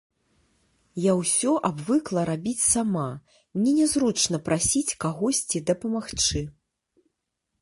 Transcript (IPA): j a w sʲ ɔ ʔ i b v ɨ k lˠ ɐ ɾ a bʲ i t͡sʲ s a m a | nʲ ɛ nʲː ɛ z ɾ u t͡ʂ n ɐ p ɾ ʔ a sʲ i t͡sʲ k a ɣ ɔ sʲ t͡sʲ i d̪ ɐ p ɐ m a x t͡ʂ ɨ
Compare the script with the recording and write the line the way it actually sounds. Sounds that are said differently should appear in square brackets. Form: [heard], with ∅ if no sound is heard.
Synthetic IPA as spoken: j a w sʲ ɔ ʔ [a] b v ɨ k lˠ ɐ ɾ a bʲ i t͡sʲ s a m a | nʲ ɛ [nʲ] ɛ z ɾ u t͡ʂ n ɐ p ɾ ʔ a sʲ i t͡sʲ k a ɣ ɔ sʲ t͡sʲ i d̪ ɐ p ɐ m a x t͡ʂ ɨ